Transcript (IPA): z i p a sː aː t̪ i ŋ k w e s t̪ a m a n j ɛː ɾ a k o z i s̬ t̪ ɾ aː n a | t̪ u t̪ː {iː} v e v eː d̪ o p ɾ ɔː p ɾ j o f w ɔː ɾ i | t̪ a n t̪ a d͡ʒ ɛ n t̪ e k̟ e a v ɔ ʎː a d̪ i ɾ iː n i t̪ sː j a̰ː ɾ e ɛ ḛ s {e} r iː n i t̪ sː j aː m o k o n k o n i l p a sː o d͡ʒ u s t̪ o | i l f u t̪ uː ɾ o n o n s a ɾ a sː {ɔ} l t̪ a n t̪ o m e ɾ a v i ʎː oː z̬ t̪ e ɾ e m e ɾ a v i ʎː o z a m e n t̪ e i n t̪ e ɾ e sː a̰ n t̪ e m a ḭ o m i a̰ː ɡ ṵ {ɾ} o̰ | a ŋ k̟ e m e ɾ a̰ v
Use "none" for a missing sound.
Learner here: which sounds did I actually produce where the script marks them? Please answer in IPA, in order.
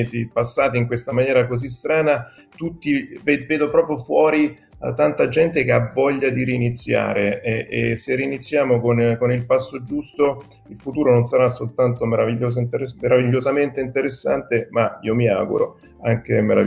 i, e, o, ɾ

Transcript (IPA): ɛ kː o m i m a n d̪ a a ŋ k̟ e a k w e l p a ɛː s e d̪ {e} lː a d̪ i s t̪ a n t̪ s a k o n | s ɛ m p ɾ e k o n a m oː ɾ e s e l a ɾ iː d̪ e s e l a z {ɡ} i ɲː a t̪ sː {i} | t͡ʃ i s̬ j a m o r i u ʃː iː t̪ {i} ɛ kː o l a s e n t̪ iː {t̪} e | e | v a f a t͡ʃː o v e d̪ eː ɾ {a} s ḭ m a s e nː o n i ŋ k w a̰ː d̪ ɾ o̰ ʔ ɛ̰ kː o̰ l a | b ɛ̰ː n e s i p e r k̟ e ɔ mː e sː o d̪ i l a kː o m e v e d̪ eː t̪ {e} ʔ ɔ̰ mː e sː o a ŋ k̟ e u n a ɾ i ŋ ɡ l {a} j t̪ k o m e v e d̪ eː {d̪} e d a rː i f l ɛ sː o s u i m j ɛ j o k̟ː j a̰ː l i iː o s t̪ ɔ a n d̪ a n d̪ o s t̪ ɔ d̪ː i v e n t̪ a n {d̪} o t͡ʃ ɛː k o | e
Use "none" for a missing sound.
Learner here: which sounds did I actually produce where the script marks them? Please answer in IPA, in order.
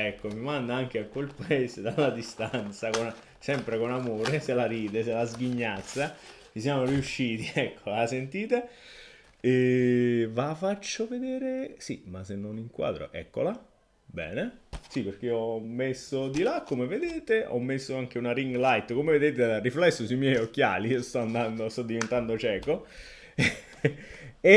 a, ɡ, a, i, t̪, e, e, a, t̪, d̪

